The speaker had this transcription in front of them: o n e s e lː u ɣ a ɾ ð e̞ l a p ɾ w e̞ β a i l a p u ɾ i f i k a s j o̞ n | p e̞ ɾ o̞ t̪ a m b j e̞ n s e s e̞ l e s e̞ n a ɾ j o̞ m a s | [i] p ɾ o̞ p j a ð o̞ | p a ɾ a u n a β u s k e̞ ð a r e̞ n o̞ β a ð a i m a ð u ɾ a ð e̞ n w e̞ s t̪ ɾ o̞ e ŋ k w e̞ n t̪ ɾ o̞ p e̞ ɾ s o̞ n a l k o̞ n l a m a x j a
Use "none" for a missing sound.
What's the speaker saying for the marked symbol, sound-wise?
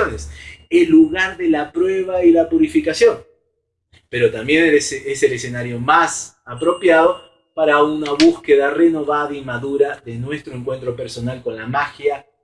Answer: a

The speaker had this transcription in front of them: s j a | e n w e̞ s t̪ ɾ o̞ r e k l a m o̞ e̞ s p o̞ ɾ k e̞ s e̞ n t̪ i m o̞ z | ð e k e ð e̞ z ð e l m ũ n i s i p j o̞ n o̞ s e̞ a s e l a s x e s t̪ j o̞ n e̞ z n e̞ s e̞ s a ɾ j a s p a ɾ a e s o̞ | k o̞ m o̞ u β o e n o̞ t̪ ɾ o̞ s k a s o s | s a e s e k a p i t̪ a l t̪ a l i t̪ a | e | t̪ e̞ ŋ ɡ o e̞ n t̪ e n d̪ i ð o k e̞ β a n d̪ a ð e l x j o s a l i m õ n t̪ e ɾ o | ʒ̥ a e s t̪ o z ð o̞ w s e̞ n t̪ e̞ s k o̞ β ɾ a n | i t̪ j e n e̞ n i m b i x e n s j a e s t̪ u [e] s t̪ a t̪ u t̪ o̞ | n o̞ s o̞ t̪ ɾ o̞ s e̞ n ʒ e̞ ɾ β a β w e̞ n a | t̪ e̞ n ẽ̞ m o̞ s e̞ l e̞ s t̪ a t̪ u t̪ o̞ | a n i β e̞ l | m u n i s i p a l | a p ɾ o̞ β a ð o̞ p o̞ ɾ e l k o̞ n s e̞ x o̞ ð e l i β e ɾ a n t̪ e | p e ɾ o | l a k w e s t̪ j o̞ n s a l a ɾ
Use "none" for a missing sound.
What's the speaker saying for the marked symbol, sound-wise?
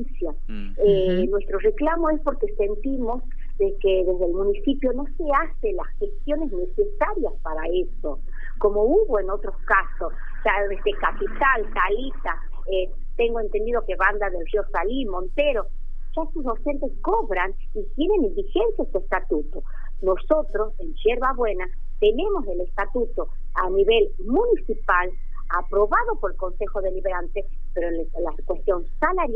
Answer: e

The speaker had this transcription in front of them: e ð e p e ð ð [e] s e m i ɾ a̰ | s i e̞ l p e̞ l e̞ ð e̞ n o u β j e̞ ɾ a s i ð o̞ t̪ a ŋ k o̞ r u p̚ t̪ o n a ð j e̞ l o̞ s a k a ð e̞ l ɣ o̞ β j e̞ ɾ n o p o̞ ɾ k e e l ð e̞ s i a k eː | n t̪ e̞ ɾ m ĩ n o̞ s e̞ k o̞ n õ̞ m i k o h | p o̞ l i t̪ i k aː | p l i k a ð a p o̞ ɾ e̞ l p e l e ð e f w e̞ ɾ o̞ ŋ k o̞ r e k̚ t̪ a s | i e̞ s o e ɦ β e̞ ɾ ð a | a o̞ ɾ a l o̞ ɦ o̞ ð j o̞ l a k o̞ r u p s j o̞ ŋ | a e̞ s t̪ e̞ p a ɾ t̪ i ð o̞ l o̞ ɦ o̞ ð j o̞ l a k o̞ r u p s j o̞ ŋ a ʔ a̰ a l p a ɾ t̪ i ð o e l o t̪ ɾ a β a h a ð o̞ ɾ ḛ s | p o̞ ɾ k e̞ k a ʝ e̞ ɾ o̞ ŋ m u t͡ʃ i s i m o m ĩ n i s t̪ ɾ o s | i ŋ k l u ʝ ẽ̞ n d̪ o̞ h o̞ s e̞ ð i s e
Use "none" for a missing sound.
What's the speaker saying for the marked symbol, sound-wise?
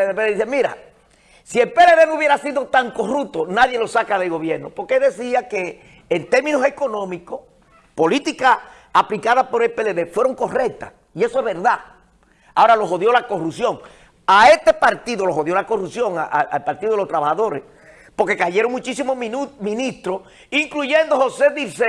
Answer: i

